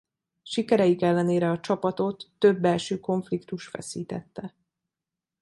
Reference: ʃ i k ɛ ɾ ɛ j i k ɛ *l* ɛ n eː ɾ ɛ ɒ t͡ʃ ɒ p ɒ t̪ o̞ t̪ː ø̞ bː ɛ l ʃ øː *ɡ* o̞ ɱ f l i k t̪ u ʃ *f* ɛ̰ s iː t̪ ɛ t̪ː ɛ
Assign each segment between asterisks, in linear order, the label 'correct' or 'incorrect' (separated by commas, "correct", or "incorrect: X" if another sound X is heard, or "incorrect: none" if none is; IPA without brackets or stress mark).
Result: incorrect: lː, incorrect: k, correct